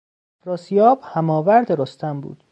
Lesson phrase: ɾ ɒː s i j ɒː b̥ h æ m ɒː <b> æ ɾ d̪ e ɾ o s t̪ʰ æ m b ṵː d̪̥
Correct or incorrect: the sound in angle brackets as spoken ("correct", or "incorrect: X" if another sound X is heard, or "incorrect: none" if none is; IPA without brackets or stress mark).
incorrect: v